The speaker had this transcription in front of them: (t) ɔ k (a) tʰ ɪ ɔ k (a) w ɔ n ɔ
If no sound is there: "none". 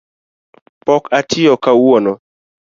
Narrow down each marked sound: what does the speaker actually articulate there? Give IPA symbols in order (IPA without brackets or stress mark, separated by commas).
p, a, a